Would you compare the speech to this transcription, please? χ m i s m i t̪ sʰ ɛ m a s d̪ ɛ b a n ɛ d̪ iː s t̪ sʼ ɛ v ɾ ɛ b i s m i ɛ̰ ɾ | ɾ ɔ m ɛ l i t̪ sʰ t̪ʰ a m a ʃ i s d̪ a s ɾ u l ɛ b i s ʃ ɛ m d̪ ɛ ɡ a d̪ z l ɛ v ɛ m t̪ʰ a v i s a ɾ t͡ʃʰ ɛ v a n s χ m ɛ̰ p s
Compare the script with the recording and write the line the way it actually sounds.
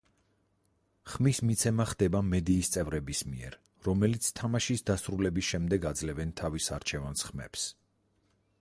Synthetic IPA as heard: χ m i s m i t̪ sʰ ɛ m a χ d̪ ɛ b a m ɛ d̪ iː s t̪ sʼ ɛ v ɾ ɛ b i s m i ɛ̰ ɾ | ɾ ɔ m ɛ l i t̪ sʰ t̪ʰ a m a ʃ i s d̪ a s ɾ u l ɛ b i s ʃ ɛ m d̪ ɛ ɡ a d̪ z l ɛ v ɛ n t̪ʰ a v i s a ɾ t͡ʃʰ ɛ v a n s χ m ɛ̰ p s

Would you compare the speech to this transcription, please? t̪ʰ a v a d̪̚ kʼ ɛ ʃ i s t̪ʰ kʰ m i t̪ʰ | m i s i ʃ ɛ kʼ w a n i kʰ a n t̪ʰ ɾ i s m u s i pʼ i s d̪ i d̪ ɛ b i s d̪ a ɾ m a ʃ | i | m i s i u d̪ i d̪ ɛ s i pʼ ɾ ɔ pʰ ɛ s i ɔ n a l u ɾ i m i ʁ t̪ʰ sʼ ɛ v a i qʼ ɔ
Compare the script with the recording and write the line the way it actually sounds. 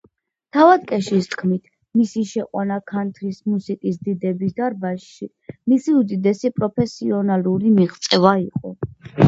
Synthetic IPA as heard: t̪ʰ a v a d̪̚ kʼ ɛ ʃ i s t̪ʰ kʰ m i t̪ʰ | m i s i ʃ ɛ qʼ w a n a kʰ a n t̪ʰ ɾ i s m u s i kʼ i s d̪ i d̪ ɛ b i s d̪ a ɾ b a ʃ | i | m i s i u d̪ i d̪ ɛ s i pʼ ɾ ɔ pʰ ɛ s i ɔ n a l u ɾ i m i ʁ t̪ sʼ ɛ v a i qʼ ɔ

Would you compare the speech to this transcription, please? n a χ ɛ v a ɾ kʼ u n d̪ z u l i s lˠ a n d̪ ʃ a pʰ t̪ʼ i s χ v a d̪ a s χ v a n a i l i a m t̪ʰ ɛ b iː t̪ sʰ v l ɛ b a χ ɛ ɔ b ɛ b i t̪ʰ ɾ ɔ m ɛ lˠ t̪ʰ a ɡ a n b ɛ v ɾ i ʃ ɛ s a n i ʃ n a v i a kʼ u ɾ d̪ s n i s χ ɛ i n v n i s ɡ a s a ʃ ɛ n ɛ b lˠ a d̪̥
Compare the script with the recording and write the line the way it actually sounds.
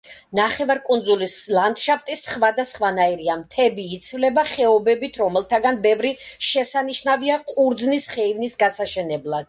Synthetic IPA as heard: n a χ ɛ v a ɾ kʼ u n d̪ z u l i s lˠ a n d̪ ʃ a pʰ t̪ʼ i s χ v a d̪ a s χ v a n a i ɾ i a m t̪ʰ ɛ b iː t̪ sʰ v l ɛ b a χ ɛ ɔ b ɛ b i t̪ʰ ɾ ɔ m ɛ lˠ t̪ʰ a ɡ a n b ɛ v ɾ i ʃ ɛ s a n i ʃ n a v i a qʼ u ɾ d̪ z n i s χ ɛ i v n i s ɡ a s a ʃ ɛ n ɛ b lˠ a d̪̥

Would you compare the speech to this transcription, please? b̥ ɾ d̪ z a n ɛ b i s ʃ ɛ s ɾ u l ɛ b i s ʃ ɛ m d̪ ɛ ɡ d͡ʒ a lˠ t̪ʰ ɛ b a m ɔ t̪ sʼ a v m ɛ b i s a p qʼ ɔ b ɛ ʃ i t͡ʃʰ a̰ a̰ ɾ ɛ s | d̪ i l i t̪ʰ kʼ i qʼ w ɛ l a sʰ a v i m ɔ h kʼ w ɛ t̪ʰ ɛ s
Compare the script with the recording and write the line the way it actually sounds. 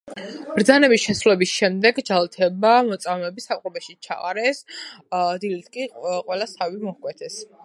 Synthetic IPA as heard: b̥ ɾ d̪ z a n ɛ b i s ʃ ɛ s ɾ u l ɛ b i s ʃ ɛ m d̪ ɛ ɡ d͡ʒ a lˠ t̪ʰ ɛ b a m ɔ t̪ sʼ a v m ɛ b i s a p qʼ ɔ b ɛ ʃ i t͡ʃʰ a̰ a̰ ɾ ɛ s | d̪ i l i t̪ʰ kʼ i qʼ w ɛ l a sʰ a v i m ɔ h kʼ w ɛ t̪ʰ ɛ s

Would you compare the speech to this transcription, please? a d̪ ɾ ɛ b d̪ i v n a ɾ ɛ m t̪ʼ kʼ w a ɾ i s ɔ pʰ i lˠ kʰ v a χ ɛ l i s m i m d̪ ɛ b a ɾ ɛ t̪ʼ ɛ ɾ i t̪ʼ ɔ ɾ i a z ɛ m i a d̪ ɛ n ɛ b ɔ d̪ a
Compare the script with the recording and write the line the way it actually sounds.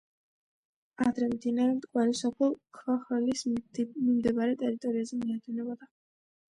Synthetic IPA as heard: a d̪ ɾ ɛ m d̪ i n a ɾ ɛ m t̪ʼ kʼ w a ɾ i s ɔ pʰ ɛ lˠ kʰ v a χ ɛ l i s m i m d̪ ɛ b a ɾ ɛ t̪ʼ ɛ ɾ i t̪ʼ ɔ ɾ i a z ɛ m i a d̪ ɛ n ɛ b ɔ d̪ a

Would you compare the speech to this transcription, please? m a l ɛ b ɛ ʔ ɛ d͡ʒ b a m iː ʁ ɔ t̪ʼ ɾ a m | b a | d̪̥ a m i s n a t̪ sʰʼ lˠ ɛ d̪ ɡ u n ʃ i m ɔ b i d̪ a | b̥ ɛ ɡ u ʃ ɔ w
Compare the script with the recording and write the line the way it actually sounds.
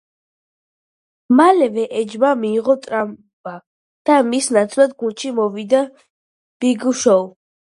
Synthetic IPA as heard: m a l ɛ v ɛ ʔ ɛ d͡ʒ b a m iː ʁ ɔ t̪ʼ ɾ a m | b a | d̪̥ a m i s n a t̪ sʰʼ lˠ a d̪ ɡ u n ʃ i m ɔ v i d̪ a | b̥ i ɡ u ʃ ɔ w

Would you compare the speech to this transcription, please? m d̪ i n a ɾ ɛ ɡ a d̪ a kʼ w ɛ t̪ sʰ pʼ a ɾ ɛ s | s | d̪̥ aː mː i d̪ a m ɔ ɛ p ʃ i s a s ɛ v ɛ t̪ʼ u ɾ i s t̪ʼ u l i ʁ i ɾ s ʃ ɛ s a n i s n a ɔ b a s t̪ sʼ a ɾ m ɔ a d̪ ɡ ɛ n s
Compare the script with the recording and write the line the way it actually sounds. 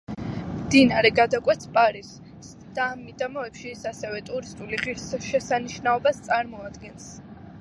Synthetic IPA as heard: m d̪ i n a ɾ ɛ ɡ a d̪ a kʼ w ɛ t̪ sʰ pʼ a ɾ i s | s | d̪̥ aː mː i d̪ a m ɔ ɛ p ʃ i s a s ɛ v ɛ t̪ʼ u ɾ i s t̪ʼ u l i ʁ i ɾ s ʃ ɛ s a n i ʃ n a ɔ b a s t̪ sʼ a ɾ m ɔ a d̪ ɡ ɛ n s

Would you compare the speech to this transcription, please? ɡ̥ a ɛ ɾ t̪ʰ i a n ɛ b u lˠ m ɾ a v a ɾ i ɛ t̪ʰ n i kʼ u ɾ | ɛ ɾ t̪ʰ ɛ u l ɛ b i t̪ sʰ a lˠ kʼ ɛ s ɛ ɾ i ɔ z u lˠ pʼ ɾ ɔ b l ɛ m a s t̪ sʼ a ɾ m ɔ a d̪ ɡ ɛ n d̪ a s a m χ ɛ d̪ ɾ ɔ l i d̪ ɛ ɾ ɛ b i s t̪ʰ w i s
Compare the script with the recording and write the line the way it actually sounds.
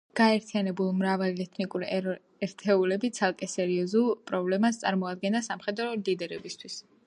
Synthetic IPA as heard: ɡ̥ a ɛ ɾ t̪ʰ i a n ɛ b u lˠ m ɾ a v a l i ɛ t̪ʰ n i kʼ u ɾ | ɛ ɾ t̪ʰ ɛ u l ɛ b i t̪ sʰ a lˠ kʼ ɛ s ɛ ɾ i ɔ z u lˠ pʼ ɾ ɔ b l ɛ m a s t̪ sʼ a ɾ m ɔ a d̪ ɡ ɛ n d̪ a s a m χ ɛ d̪ ɾ ɔ l i d̪ ɛ ɾ ɛ b i s t̪ʰ w i s

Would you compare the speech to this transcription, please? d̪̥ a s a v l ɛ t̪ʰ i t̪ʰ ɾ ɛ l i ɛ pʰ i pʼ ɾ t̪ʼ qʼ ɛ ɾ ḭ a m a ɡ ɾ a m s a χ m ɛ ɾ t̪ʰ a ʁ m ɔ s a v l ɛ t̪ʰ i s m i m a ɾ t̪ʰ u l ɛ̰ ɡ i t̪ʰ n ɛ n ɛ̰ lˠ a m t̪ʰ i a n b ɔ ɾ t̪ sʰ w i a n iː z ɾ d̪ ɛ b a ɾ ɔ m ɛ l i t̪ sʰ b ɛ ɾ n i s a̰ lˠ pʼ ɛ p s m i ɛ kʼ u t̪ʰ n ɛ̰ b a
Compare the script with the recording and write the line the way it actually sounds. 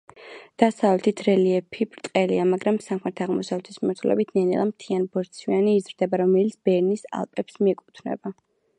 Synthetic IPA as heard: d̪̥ a s a v l ɛ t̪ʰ i t̪ʰ ɾ ɛ l i ɛ pʰ i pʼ ɾ t̪ʼ qʼ ɛ l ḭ a m a ɡ ɾ a m s a χ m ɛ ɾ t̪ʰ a ʁ m ɔ s a v l ɛ t̪ʰ i s m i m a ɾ t̪ʰ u l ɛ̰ b i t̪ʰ n ɛ n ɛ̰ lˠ a m t̪ʰ i a n b ɔ ɾ t̪ sʰ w i a n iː z ɾ d̪ ɛ b a ɾ ɔ m ɛ l i t̪ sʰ b ɛ ɾ n i s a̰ lˠ pʼ ɛ p s m i ɛ kʼ u t̪ʰ n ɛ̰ b a

